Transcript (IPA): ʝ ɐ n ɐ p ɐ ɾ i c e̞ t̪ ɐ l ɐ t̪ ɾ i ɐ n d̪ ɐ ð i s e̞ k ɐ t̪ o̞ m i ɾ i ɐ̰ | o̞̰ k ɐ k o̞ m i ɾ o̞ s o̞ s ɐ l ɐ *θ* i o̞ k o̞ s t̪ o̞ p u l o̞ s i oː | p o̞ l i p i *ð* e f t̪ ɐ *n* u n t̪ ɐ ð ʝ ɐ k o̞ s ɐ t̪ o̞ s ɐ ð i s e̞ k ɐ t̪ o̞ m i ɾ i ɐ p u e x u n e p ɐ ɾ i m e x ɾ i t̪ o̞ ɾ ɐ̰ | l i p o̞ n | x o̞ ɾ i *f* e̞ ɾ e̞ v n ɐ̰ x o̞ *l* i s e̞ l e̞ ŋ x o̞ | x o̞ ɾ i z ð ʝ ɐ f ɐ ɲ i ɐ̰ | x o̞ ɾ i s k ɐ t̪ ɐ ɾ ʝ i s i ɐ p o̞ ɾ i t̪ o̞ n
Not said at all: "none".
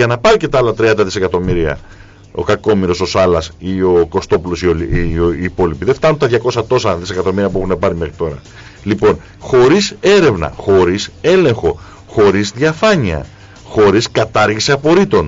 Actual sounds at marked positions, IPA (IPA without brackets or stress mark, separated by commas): s, ð, n, s, ɾ